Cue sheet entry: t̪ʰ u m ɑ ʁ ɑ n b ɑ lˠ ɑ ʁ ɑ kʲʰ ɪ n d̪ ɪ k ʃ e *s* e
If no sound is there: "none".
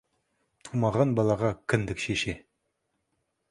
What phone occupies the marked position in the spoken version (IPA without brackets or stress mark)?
ʃ